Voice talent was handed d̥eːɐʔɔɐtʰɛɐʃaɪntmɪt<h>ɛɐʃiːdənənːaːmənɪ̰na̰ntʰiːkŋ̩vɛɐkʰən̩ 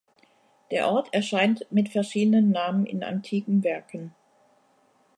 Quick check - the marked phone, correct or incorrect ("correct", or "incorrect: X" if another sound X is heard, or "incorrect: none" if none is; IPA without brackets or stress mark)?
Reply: incorrect: f